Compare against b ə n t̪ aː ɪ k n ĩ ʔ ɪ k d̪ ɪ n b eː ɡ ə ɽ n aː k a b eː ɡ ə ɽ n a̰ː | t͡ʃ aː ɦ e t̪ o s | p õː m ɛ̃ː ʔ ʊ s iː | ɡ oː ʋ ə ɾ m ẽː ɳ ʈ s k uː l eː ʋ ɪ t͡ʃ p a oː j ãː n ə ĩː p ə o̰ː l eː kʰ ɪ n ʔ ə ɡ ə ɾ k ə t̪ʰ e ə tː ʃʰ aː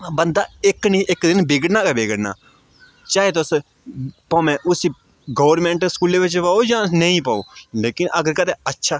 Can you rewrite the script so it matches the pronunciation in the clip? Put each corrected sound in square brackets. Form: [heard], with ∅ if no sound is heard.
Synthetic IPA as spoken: b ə n [d̪] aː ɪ k n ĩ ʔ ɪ k d̪ ɪ n b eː ɡ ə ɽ n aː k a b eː ɡ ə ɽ n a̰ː | t͡ʃ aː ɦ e t̪ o s | p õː m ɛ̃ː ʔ ʊ s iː | ɡ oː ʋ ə ɾ m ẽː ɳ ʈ s k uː l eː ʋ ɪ t͡ʃ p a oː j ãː n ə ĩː p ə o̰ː l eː [k] ɪ n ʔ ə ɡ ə ɾ k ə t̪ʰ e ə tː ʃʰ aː